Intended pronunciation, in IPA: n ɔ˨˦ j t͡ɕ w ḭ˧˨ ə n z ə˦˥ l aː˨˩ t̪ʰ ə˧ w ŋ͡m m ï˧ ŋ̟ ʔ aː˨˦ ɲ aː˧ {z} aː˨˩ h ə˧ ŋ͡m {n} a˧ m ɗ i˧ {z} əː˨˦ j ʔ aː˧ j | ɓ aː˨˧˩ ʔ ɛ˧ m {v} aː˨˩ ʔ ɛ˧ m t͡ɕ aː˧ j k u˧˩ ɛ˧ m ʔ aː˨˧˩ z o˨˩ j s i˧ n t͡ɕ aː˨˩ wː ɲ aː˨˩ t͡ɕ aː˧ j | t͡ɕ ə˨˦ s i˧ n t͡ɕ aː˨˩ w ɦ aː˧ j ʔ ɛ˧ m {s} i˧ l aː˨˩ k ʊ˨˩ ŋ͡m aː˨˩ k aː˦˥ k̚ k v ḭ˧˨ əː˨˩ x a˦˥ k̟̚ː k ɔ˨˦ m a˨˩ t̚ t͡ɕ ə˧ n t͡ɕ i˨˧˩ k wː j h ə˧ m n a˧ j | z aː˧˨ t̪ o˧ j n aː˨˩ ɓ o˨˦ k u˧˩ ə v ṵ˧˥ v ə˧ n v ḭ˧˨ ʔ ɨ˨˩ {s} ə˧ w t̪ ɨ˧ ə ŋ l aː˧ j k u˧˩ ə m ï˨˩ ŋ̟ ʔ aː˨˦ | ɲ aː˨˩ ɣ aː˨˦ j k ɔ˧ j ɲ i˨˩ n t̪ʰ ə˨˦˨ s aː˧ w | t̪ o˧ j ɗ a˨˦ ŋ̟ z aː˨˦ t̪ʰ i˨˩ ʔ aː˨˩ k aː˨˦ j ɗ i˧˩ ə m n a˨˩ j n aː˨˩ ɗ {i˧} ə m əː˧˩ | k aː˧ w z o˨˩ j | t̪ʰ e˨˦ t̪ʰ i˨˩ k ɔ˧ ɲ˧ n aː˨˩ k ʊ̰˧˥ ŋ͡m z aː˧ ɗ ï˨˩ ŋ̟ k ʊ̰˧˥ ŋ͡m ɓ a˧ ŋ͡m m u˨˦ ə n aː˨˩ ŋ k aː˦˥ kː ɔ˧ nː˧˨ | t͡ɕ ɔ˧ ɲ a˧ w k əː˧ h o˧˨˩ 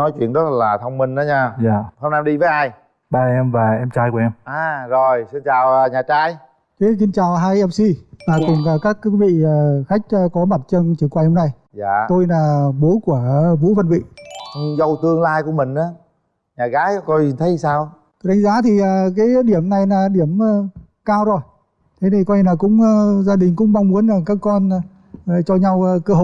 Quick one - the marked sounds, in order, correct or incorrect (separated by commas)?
correct, correct, incorrect, correct, correct, incorrect, incorrect